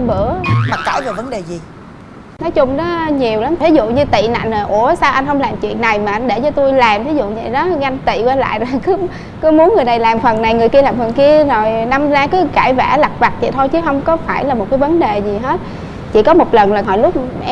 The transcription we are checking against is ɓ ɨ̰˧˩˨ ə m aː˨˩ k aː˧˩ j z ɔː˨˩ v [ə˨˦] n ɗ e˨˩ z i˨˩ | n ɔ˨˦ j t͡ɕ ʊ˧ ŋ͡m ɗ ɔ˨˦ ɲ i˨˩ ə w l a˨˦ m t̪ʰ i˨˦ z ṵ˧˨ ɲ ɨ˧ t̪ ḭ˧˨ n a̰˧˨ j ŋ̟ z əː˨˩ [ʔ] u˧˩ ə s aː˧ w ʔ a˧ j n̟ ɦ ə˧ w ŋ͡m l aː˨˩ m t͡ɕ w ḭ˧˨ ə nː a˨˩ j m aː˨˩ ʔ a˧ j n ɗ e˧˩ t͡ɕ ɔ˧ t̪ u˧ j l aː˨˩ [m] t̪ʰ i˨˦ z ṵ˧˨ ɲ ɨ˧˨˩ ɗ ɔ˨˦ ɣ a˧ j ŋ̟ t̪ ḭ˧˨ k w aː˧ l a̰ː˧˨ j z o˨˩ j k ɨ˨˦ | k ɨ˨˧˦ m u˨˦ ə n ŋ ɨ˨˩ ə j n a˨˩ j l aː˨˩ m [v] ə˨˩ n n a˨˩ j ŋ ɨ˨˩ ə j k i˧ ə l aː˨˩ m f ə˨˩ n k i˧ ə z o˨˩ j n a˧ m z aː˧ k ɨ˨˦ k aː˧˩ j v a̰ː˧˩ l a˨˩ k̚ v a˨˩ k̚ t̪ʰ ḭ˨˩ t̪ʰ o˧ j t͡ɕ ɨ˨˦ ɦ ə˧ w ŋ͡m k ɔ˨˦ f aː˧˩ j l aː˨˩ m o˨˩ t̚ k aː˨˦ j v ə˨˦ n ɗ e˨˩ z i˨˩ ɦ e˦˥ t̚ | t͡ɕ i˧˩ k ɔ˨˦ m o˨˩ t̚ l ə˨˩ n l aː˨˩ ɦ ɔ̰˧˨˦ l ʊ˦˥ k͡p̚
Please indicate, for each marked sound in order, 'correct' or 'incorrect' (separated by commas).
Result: correct, correct, correct, incorrect